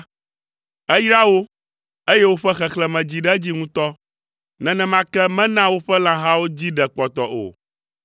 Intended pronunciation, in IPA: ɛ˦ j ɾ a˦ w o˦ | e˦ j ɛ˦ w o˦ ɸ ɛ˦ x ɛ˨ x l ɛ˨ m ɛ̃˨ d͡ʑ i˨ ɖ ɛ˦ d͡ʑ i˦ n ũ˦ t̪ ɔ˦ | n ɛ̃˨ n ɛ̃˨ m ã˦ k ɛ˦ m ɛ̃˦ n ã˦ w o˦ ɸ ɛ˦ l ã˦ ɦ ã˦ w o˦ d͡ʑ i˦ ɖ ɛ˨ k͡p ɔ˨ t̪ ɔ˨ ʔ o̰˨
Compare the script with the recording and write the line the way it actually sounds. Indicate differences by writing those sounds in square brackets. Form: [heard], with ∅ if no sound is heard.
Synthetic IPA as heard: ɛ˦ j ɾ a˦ w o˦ | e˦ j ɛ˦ w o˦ ɸ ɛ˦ x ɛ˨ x l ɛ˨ m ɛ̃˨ d͡ʑ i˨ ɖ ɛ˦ d͡ʑ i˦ [ŋ] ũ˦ t̪ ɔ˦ | n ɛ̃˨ n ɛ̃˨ m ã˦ k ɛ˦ m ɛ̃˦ n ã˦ w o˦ ɸ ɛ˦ l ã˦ ɦ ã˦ w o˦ d͡ʑ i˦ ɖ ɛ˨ k͡p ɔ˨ t̪ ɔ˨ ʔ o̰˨